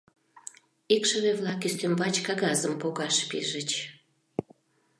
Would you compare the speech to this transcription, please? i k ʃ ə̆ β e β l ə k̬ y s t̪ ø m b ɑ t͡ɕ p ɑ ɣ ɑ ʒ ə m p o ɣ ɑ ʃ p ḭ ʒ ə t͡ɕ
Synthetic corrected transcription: i k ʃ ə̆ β e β l ɑ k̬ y s t̪ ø m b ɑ t͡ɕ k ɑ ɣ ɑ z ə m p o ɣ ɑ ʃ p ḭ ʒ ə t͡ɕ